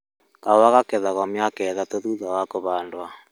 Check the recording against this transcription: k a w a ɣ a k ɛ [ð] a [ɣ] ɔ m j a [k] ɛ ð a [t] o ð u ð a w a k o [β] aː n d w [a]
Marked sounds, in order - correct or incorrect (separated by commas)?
correct, correct, correct, correct, correct, correct